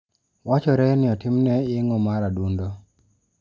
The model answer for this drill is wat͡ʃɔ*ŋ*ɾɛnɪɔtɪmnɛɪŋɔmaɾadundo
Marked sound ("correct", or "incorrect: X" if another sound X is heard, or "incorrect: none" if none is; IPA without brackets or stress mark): incorrect: none